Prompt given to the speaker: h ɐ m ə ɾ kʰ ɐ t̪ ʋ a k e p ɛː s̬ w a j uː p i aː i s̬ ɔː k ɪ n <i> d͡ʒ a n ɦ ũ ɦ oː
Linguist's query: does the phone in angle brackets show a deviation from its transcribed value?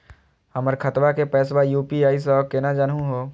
yes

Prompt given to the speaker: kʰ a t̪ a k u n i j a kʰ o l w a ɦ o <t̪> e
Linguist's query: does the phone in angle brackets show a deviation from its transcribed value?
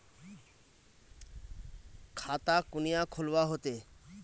no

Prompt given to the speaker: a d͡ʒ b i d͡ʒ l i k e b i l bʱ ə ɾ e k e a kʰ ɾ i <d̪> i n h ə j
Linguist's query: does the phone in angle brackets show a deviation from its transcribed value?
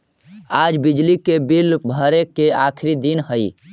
no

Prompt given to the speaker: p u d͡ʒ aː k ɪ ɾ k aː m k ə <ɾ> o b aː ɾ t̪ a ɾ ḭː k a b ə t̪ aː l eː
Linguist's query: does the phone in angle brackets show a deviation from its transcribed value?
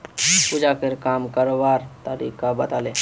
no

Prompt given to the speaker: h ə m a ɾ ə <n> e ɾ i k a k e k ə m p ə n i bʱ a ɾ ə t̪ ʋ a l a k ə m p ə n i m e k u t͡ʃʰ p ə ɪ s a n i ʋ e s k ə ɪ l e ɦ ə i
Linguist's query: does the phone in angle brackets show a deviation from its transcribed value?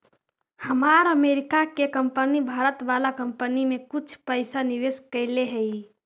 yes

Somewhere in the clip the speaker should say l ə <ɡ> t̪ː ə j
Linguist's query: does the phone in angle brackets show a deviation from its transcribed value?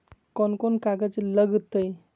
no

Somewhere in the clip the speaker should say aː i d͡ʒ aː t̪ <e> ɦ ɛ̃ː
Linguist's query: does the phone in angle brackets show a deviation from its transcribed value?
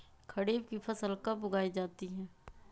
yes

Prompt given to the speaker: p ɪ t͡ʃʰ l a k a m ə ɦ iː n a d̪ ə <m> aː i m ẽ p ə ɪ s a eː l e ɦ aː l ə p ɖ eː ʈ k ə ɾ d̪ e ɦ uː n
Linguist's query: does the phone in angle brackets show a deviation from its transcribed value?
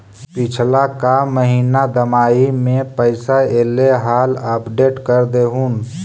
no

